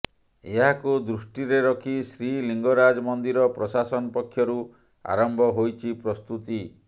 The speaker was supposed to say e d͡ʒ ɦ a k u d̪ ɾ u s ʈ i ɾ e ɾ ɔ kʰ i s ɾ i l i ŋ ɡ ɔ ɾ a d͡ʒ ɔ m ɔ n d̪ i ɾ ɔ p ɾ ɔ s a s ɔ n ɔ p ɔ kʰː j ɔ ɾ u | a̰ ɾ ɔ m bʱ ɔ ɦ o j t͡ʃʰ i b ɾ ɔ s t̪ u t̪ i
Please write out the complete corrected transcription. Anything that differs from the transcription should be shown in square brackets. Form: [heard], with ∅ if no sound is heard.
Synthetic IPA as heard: e [∅] ɦ a k u d̪ ɾ u s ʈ i ɾ e ɾ ɔ kʰ i s ɾ i l i ŋ ɡ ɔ ɾ a d͡ʒ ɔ m ɔ n d̪ i ɾ ɔ p ɾ ɔ s a s ɔ n ɔ p ɔ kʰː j ɔ ɾ u | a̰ ɾ ɔ m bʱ ɔ ɦ o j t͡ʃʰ i [p] ɾ ɔ s t̪ u t̪ i

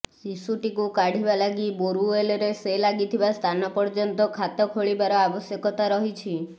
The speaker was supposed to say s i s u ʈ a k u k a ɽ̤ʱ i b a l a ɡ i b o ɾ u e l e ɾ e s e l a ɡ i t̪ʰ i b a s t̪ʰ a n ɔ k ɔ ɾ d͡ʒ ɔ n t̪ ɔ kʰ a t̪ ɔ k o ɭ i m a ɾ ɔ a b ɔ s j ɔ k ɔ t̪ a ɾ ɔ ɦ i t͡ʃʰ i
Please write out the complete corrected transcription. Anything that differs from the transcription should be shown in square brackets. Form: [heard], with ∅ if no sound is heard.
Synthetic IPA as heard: s i s u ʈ [i] k u k a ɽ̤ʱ i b a l a ɡ i b o ɾ u e l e ɾ e s e l a ɡ i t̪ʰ i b a s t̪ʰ a n ɔ [p] ɔ ɾ d͡ʒ ɔ n t̪ ɔ kʰ a t̪ ɔ [kʰ] o ɭ i [b] a ɾ ɔ a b ɔ s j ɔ k ɔ t̪ a ɾ ɔ ɦ i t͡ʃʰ i

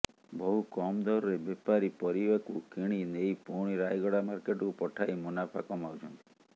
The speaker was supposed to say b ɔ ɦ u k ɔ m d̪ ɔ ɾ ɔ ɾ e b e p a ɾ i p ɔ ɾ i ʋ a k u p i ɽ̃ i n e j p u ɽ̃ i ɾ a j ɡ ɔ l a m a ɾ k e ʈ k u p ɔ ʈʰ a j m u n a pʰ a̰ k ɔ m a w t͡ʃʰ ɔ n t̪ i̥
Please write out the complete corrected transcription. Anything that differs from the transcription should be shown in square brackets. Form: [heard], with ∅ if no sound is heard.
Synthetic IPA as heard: b ɔ ɦ u k ɔ m d̪ ɔ ɾ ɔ ɾ e b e p a ɾ i p ɔ ɾ i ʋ a k u [k] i ɽ̃ i n e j p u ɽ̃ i ɾ a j ɡ ɔ [ɽ] a m a ɾ k e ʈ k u p ɔ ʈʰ a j m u n a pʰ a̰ k ɔ m a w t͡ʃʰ ɔ n t̪ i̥

